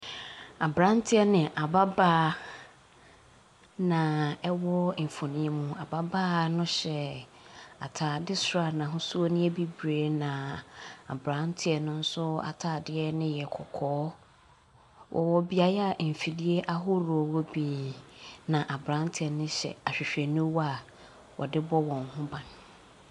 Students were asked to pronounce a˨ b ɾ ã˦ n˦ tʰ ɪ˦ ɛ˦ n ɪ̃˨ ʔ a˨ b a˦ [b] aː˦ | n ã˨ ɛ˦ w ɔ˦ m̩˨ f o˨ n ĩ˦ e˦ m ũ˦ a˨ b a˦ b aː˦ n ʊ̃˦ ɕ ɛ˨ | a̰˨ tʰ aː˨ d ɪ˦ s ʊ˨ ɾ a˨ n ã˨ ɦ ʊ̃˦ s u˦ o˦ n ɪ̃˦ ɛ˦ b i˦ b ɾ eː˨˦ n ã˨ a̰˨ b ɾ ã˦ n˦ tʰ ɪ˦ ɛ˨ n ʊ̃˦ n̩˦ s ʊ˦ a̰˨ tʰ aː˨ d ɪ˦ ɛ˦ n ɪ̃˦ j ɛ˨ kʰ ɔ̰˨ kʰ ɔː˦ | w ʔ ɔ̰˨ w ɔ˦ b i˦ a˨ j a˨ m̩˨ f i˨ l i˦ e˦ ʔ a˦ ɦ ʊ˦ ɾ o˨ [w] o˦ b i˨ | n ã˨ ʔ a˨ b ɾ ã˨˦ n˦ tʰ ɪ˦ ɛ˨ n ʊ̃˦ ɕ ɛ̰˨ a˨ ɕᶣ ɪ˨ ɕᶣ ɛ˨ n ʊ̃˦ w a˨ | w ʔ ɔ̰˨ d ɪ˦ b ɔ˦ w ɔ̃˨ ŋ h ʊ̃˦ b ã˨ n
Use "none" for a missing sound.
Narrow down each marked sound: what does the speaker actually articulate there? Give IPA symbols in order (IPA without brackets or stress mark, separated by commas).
b, w